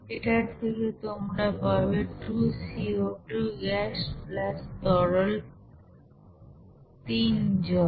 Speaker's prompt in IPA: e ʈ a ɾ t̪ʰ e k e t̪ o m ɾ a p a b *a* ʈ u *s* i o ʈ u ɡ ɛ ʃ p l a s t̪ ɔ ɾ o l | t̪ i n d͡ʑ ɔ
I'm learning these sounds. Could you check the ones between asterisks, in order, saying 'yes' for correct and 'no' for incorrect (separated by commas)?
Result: no, yes